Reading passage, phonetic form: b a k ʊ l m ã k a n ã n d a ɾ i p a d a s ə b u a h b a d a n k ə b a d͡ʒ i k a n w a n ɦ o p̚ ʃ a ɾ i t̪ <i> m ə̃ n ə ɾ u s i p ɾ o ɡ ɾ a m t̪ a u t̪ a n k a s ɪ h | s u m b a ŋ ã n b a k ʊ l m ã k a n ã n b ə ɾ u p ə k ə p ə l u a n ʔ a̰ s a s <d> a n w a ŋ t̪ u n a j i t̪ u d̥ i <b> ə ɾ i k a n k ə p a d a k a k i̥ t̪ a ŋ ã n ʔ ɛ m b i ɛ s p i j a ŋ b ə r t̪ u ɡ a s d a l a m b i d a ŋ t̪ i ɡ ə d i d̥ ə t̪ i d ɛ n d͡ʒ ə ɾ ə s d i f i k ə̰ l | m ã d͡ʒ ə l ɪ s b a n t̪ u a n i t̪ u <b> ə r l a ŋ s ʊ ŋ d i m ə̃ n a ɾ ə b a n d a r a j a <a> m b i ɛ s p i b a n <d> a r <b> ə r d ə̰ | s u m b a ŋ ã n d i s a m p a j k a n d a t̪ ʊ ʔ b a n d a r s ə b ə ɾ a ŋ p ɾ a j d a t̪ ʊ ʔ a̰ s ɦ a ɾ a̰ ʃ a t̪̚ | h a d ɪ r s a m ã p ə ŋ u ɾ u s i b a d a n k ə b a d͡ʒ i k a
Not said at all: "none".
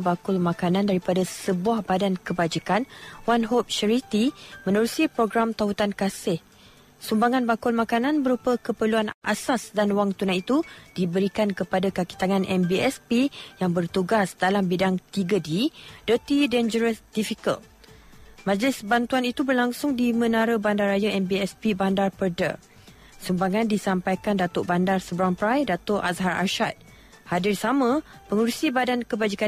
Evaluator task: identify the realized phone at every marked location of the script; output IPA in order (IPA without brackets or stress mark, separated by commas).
i, d, b, b, ɛ, d, p